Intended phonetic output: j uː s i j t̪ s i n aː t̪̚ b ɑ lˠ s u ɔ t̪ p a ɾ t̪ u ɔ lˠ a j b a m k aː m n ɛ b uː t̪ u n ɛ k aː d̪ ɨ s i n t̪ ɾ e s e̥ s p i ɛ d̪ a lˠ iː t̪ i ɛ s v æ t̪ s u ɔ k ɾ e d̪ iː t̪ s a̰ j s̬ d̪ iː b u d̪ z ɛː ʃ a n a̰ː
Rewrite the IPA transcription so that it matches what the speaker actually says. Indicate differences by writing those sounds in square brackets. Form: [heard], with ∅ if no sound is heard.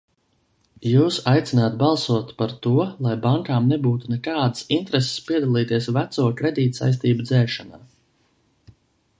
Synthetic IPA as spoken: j uː s [a] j t̪ s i n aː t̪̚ b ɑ lˠ s u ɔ t̪ p a ɾ t̪ u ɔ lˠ a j b a [ŋ] k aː m n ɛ b uː t̪ u n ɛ k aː d̪ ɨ s i n t̪ ɾ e s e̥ s p i ɛ d̪ a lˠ iː t̪ i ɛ s v æ t̪ s u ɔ k ɾ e d̪ iː t̪ s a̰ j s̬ [t̪] iː b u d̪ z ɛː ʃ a n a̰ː